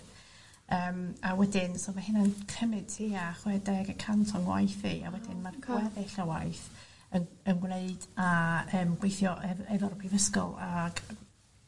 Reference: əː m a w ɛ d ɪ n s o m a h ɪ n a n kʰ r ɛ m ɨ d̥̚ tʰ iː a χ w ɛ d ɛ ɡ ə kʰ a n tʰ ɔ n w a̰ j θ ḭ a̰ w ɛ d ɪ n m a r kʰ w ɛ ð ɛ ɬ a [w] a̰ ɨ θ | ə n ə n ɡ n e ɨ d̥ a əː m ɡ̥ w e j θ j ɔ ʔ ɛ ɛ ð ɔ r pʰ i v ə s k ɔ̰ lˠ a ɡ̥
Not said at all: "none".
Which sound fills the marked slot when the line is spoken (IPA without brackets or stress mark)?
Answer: w